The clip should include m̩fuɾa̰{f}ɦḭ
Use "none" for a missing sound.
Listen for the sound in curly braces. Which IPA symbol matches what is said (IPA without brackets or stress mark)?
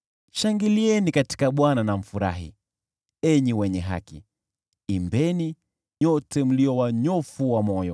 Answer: none